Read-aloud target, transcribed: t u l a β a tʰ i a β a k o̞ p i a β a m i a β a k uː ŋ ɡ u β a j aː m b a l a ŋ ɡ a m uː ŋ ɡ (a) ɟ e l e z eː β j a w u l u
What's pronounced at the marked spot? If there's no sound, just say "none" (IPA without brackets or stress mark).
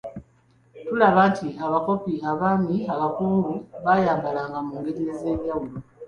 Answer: e